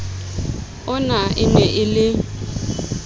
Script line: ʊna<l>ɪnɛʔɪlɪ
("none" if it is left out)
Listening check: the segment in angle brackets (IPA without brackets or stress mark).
none